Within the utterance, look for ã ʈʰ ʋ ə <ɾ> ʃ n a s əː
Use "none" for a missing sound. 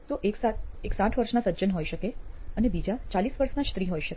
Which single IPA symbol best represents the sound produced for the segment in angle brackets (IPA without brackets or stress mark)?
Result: ɾ